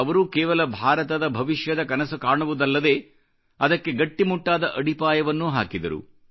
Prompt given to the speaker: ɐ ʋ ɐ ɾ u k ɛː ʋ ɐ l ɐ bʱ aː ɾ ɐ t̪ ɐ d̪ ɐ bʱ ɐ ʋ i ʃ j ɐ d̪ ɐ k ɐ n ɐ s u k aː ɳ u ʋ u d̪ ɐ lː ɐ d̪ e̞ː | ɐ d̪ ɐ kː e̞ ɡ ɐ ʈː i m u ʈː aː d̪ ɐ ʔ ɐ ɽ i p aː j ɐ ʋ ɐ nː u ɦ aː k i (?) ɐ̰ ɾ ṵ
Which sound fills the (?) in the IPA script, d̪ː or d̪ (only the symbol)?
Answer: d̪